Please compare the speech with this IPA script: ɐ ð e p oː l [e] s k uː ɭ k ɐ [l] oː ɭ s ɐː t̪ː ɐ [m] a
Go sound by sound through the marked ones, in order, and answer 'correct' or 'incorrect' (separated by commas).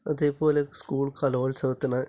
correct, correct, incorrect